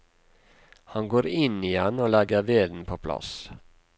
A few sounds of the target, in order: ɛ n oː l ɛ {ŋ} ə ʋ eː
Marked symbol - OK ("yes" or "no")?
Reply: no